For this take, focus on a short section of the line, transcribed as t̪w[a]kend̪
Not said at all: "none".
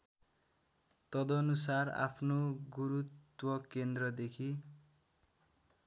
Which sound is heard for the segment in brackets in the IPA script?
ʌ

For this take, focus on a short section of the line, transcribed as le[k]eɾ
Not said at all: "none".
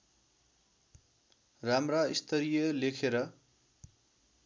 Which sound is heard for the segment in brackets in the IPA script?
kʰ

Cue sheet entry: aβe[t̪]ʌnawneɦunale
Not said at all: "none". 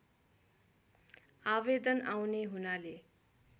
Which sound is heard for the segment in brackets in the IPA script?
d̪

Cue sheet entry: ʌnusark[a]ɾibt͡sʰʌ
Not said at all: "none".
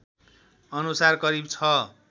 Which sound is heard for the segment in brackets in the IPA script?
ʌ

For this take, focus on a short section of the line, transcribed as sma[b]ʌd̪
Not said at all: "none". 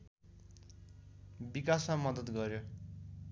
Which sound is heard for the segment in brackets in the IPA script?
m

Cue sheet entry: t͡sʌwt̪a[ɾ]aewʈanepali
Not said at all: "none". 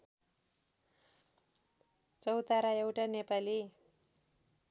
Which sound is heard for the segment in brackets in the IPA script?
ɾ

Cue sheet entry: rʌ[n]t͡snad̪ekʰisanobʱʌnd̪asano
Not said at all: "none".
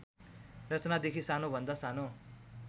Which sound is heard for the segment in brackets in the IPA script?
none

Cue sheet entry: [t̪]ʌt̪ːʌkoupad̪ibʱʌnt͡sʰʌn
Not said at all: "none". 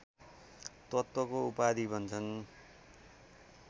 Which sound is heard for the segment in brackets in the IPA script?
t̪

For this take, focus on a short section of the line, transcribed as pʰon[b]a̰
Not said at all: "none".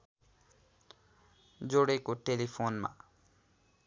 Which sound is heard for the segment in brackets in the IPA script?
m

